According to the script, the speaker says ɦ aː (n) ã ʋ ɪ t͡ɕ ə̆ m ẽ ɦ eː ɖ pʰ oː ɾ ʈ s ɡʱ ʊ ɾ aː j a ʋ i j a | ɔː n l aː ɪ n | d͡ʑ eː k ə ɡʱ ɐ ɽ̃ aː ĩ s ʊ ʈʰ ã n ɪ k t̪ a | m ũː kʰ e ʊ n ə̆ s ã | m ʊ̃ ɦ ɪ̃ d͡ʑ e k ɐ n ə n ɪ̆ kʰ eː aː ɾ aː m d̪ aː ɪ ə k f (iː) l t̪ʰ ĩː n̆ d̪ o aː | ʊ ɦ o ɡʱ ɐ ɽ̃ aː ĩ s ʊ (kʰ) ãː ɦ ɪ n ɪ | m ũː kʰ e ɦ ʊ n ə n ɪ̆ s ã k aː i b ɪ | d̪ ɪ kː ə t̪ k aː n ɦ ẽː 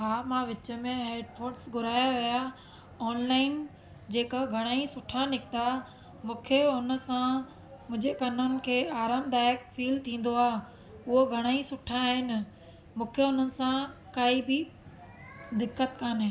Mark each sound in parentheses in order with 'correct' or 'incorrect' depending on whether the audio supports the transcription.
incorrect: m, correct, incorrect: ʈʰ

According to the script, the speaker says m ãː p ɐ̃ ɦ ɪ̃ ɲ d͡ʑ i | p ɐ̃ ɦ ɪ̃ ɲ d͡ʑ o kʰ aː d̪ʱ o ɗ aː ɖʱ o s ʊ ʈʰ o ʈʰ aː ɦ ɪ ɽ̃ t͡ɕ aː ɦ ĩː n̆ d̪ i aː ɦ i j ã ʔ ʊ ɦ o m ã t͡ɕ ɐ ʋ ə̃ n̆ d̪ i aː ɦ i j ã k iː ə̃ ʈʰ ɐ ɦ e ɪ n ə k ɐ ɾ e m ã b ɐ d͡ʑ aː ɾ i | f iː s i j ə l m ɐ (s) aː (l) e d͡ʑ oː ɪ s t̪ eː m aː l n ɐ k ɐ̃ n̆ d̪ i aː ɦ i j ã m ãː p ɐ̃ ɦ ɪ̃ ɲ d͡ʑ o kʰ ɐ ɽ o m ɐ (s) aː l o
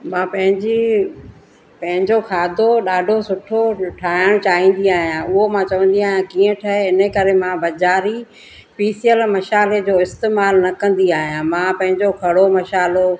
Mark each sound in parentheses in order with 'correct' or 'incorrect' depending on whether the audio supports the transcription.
incorrect: ʃ, correct, incorrect: ʃ

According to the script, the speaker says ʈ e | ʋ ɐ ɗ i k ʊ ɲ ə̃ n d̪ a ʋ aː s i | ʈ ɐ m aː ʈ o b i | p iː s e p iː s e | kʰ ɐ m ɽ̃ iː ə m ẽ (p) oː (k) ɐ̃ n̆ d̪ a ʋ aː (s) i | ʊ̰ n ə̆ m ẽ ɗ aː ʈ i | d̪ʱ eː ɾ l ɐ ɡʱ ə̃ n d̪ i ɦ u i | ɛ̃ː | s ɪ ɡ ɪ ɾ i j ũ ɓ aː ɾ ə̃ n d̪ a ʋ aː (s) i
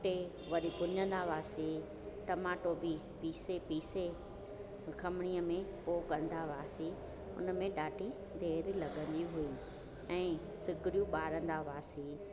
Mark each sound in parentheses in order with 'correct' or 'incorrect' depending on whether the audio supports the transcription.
correct, correct, correct, correct

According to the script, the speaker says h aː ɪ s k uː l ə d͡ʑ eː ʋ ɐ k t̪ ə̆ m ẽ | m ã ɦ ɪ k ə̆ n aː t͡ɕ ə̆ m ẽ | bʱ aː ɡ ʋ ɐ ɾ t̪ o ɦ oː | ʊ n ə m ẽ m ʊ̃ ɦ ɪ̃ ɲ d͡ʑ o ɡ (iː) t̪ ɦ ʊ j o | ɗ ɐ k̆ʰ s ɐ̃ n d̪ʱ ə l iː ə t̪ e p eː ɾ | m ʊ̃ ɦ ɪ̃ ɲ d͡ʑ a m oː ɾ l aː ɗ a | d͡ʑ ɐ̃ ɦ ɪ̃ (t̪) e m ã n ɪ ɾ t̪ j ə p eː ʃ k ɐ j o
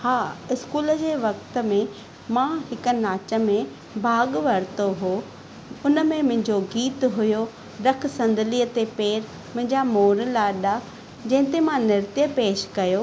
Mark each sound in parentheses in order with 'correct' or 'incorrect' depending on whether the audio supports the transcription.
correct, correct

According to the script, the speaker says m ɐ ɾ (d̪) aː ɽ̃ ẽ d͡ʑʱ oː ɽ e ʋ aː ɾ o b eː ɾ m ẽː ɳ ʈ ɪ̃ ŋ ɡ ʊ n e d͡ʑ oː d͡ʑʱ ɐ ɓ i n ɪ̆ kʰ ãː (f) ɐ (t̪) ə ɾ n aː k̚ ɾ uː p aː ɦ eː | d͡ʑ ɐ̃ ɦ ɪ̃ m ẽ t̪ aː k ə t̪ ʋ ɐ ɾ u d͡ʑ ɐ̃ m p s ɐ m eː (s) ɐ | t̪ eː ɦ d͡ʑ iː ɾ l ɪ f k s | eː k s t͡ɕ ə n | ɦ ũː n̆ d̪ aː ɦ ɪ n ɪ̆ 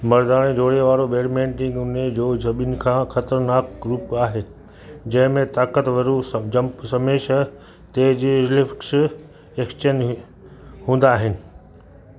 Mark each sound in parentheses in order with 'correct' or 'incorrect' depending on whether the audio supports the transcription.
correct, incorrect: x, correct, incorrect: ʃ

